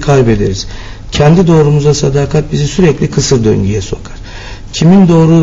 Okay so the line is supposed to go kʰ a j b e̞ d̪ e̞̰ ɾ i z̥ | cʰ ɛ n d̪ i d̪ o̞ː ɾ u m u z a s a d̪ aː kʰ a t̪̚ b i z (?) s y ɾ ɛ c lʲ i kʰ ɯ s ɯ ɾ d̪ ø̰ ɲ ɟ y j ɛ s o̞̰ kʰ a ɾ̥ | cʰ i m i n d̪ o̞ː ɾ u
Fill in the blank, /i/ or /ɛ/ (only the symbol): i